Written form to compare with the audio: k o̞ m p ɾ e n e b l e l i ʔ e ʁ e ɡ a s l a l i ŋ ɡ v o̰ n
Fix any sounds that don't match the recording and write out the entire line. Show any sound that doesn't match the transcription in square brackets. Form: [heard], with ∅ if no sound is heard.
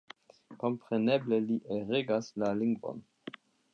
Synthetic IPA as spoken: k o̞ m p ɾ e n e b l e l i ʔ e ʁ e ɡ a s l a l i ŋ ɡ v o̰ n

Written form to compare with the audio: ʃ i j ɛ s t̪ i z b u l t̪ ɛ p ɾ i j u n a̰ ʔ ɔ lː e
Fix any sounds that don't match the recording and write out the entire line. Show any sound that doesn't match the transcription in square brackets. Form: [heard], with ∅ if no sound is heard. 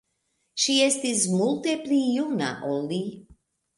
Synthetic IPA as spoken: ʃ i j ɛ s t̪ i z [m] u l t̪ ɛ p [l] i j u n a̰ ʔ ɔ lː [i]

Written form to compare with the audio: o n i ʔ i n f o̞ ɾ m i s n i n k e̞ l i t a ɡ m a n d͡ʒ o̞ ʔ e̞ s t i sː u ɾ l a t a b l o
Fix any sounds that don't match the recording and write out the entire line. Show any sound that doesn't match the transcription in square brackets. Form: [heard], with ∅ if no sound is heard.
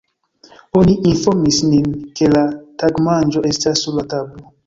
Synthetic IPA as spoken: o n i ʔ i n f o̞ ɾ m i s n i n k e̞ l [a] t a ɡ m a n d͡ʒ o̞ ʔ e̞ s t [a] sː u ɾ l a t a b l o

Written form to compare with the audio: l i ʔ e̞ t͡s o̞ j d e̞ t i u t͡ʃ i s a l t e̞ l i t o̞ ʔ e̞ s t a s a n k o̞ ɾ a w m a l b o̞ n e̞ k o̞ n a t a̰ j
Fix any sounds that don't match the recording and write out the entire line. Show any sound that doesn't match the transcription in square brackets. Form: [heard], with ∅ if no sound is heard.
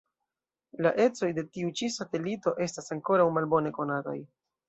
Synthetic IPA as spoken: l [a] ʔ e̞ t͡s o̞ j d e̞ t i u t͡ʃ i s a [∅] t e̞ l i t o̞ ʔ e̞ s t a s a [ŋ] k o̞ ɾ a w m a l b o̞ n e̞ k o̞ n a t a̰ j

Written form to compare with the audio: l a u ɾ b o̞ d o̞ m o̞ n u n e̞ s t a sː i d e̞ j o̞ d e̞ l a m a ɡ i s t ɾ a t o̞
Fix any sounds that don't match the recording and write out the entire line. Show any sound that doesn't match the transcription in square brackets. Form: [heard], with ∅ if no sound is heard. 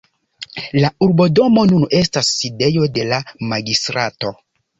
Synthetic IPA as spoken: l a u ɾ b o̞ d o̞ m o̞ n u n e̞ s t a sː i d e̞ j o̞ d e̞ l a m a ɡ i s t ɾ a t o̞

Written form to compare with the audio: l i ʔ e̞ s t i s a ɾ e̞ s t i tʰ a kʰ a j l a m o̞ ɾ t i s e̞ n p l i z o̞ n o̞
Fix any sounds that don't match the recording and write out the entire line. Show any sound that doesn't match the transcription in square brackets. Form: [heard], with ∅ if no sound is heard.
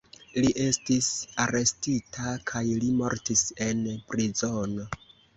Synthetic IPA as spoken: l i ʔ e̞ s t i s a ɾ e̞ s t i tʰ a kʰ a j l [i] m o̞ ɾ t i s e̞ n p [ɾ] i z o̞ n o̞

